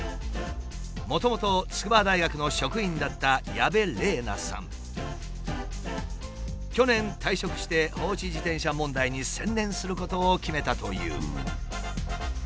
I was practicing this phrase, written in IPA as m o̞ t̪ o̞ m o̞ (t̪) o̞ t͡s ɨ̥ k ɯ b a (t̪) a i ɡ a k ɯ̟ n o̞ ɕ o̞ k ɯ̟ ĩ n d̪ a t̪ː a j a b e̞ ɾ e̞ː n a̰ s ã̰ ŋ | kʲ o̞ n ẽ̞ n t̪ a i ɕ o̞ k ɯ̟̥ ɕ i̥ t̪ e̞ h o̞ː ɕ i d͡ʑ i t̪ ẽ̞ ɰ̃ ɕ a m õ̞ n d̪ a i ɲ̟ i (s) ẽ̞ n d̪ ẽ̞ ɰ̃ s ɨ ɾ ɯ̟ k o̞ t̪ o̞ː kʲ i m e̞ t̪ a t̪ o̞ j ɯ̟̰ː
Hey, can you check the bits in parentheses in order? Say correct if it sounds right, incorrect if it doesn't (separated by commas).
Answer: correct, incorrect, correct